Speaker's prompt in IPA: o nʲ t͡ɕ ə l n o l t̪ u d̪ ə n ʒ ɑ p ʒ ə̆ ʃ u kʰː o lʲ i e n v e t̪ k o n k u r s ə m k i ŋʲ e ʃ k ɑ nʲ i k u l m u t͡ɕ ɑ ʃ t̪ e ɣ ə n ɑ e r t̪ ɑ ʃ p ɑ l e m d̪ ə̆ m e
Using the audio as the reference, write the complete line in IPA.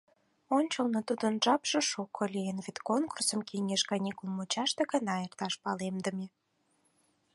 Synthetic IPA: o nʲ t͡ɕ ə l n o t̪ u d̪ ə n ʒ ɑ p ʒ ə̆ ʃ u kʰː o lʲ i e n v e t̪ k o n k u r s ə m k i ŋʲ e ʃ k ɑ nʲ i k u l m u t͡ɕ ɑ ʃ t̪ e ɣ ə n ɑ e r t̪ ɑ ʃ p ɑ l e m d̪ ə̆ m e